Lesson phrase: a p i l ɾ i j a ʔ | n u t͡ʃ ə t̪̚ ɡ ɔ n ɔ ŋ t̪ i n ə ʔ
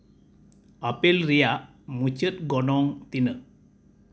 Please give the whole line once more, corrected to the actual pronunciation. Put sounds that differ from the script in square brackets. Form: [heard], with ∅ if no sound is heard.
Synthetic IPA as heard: a p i l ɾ i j a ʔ | [m] u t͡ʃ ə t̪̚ ɡ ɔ n ɔ ŋ t̪ i n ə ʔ